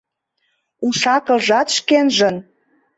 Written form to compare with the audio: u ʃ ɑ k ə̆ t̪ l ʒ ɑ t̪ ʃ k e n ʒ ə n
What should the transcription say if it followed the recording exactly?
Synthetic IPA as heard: u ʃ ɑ k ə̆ l ʒ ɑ t̪ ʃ k e n ʒ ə n

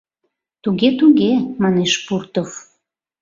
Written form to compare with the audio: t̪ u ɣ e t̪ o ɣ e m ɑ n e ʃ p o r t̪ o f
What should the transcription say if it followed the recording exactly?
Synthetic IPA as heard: t̪ u ɣ e t̪ u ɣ e m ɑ n e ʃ p u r t̪ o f

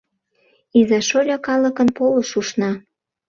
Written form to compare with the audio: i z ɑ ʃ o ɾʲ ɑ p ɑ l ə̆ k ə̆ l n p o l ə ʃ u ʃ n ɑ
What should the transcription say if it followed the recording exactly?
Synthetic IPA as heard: i z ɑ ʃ o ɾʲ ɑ k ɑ l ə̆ k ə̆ n p o l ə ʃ u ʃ n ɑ

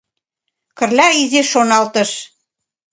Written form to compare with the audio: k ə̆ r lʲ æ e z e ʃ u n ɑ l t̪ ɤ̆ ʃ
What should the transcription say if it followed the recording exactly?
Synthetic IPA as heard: k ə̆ r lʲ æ i z e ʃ o n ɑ l t̪ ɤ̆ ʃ

